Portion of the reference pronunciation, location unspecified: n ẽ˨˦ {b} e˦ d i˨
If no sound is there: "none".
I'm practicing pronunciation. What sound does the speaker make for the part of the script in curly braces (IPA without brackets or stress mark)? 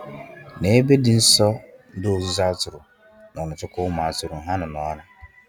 b